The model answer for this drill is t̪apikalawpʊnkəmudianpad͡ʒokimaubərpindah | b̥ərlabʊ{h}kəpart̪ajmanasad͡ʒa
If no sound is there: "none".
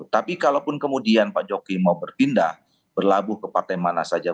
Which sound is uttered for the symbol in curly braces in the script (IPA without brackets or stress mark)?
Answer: h